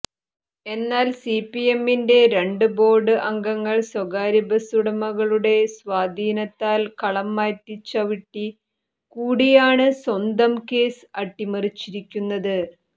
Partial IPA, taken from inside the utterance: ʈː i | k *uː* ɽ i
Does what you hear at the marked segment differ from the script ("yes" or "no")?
no